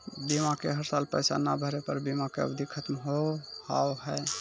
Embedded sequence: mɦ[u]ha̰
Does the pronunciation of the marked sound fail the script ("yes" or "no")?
yes